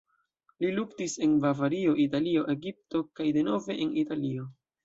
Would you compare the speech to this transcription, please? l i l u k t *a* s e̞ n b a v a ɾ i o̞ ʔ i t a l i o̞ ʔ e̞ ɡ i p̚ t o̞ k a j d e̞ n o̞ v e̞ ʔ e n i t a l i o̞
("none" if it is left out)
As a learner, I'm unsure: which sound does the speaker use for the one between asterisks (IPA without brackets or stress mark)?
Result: i